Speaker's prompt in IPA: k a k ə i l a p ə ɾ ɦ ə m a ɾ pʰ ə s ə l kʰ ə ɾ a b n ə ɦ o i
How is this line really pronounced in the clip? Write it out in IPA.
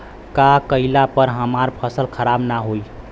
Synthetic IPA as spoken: k a k ə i l a p ə ɾ ɦ ə m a ɾ pʰ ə s ə l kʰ ə ɾ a b n a ɦ o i